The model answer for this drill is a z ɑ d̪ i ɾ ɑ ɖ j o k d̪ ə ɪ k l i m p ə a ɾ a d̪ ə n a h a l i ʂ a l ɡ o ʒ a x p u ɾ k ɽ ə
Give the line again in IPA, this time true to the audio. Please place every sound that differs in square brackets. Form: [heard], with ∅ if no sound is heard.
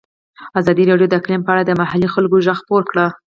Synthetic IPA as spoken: a z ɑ d̪ i ɾ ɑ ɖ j o [∅] d̪ ə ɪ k l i m p ə a [ɽ] a d̪ ə [m] a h a l i [x] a l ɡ o ʒ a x p [o] ɾ k ɽ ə

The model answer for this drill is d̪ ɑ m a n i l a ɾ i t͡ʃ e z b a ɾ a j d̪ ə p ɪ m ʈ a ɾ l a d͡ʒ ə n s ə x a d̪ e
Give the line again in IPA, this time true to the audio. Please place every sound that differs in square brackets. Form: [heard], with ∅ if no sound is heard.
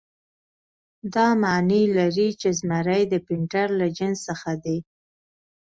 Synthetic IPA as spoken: d̪ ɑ m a n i l a ɾ i t͡ʃ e z [m] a ɾ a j d̪ ə p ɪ [ɳ] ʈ a ɾ l a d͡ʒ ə n s ə x a d̪ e

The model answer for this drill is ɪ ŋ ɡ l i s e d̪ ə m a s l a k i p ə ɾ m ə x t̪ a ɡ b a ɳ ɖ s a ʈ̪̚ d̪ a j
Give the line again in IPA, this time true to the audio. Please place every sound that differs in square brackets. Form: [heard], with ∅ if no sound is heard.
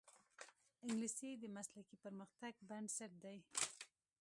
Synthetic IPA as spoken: ɪ ŋ ɡ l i s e d̪ ə m a s l a k i p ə ɾ m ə x t̪ a ɡ b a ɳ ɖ s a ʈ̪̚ d̪ a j

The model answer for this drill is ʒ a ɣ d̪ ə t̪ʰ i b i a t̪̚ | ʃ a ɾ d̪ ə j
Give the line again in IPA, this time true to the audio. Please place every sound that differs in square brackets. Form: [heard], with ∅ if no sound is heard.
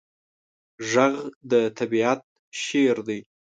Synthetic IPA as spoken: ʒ a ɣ d̪ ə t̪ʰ [a] b i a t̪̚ | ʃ [e] ɾ d̪ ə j

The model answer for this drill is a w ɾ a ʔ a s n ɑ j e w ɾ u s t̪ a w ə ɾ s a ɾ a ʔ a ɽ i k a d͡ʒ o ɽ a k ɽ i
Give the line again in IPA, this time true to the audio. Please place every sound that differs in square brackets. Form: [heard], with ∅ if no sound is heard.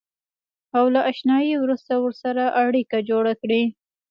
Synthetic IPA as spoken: a w [l] a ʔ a [ʃ] n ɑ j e w ɾ u s t̪ a w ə ɾ s a ɾ a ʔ a ɽ i k a d͡ʒ o ɽ a k ɽ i

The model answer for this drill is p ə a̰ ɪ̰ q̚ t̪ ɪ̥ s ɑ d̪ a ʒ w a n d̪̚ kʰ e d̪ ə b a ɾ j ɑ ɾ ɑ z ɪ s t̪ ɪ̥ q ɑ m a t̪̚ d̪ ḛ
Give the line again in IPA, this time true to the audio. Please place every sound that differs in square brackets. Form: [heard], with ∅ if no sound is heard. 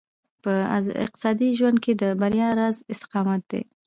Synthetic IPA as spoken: p ə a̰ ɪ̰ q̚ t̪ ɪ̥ s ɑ d̪ [i] ʒ w a n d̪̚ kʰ e d̪ ə b a ɾ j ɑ ɾ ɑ z ɪ s t̪ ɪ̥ q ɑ m a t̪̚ d̪ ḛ

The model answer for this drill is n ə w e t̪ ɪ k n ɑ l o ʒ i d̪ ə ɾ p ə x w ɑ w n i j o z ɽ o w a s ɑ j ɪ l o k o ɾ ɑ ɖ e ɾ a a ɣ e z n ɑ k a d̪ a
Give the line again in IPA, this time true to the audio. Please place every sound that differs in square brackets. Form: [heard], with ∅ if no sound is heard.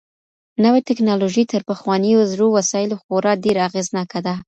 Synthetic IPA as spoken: n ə w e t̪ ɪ k n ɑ l o ʒ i [t̪] ə ɾ p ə x w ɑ [∅] n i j o z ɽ o w a s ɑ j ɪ l o [x] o ɾ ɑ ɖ e ɾ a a ɣ e z n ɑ k a d̪ a

